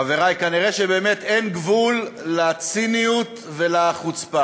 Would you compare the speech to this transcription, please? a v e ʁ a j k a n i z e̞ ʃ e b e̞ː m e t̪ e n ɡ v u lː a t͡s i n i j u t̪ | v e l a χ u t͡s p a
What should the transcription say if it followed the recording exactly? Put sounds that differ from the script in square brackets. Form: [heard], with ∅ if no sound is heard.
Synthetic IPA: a v e ʁ a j k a n i [ʁ] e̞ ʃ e b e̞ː m e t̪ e n ɡ v u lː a t͡s i n i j u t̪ | v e l a χ u t͡s p a